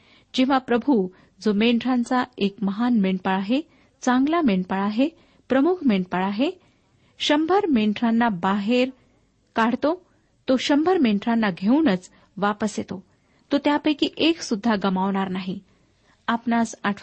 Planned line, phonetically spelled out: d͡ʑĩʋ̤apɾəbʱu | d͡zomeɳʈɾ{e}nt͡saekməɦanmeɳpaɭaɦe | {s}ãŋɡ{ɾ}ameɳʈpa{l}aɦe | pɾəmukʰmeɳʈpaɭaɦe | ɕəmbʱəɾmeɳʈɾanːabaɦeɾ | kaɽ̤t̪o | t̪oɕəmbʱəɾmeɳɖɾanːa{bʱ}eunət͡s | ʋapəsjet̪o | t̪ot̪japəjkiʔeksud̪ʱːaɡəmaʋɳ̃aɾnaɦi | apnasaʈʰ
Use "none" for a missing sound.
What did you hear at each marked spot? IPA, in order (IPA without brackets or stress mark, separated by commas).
a, t͡s, l, ɭ, ɡʱ